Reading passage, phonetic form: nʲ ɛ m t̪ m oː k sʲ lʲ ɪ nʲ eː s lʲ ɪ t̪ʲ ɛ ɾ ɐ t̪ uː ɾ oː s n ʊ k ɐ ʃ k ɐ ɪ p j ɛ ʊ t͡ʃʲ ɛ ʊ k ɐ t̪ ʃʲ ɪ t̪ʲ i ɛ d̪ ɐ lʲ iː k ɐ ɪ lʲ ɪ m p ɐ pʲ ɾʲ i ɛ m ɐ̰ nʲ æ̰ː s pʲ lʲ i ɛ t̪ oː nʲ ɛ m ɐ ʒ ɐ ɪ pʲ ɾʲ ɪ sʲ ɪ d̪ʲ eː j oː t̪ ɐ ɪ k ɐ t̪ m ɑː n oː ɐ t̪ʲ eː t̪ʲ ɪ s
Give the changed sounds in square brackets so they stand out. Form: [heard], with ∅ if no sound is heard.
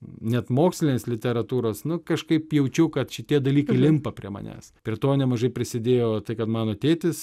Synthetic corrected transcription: nʲ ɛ [∅] t̪ m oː k sʲ lʲ ɪ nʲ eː s lʲ ɪ t̪ʲ ɛ ɾ ɐ t̪ uː ɾ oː s n ʊ k ɐ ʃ k ɐ ɪ p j ɛ ʊ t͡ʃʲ ɛ ʊ k ɐ t̪ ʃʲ ɪ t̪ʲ i ɛ d̪ ɐ lʲ iː k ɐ ɪ lʲ ɪ m p ɐ pʲ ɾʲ i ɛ m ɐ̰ nʲ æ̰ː s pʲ [ɾʲ] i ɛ t̪ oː nʲ ɛ m ɐ ʒ ɐ ɪ pʲ ɾʲ ɪ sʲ ɪ d̪ʲ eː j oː t̪ ɐ ɪ k ɐ t̪ m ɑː n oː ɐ t̪ʲ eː t̪ʲ ɪ s